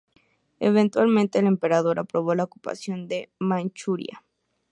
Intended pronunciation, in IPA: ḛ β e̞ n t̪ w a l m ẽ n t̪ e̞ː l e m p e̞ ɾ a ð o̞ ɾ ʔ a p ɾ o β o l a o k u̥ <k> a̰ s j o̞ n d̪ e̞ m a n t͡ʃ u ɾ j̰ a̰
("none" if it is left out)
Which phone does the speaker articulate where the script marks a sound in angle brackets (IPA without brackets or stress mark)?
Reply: p